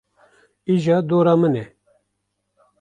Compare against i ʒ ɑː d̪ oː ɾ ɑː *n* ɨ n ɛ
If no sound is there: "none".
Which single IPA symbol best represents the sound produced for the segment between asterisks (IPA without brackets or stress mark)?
m